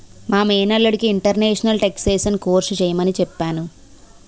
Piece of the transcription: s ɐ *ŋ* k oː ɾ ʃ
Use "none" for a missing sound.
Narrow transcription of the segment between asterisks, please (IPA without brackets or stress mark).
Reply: n